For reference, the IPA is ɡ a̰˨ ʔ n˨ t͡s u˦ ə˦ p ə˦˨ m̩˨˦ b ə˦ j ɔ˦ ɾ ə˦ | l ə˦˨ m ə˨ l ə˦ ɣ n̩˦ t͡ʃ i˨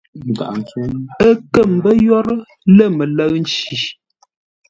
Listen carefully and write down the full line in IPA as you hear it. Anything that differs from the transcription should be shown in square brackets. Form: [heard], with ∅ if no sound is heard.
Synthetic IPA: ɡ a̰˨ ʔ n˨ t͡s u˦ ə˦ [k] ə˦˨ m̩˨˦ b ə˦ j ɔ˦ ɾ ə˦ | l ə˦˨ m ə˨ l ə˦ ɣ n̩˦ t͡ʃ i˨

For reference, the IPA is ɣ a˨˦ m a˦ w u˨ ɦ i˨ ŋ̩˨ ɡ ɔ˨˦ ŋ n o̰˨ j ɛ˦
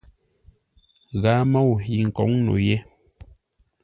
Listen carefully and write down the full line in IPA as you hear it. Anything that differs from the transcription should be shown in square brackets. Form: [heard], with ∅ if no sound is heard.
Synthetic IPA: ɣ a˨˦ m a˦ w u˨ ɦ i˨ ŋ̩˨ [k] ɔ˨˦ ŋ n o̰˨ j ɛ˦

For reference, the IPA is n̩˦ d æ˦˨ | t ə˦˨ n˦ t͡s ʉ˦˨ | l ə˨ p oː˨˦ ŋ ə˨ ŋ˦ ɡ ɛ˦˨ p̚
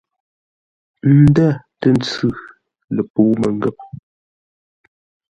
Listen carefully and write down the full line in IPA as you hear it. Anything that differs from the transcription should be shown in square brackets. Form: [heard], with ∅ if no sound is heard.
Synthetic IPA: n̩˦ d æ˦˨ | t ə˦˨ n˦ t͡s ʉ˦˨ | l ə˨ p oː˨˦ [m] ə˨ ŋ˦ ɡ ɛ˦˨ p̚

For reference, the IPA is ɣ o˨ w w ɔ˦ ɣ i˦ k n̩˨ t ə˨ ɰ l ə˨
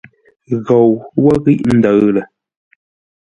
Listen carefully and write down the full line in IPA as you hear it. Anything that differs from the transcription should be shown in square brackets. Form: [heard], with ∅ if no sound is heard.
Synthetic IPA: ɣ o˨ w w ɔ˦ ɣ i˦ [ʔ] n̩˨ [d] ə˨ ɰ l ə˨

